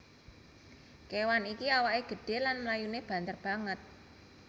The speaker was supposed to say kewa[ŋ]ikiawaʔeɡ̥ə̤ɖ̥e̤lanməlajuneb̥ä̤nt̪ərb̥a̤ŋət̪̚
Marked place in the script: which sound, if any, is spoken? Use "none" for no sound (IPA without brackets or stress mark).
n